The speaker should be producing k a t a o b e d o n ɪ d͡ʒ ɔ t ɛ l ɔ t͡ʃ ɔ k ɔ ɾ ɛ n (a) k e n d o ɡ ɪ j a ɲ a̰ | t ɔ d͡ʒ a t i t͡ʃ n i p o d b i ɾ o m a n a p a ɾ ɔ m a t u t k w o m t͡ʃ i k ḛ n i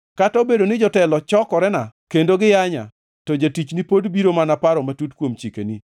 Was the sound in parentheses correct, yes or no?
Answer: yes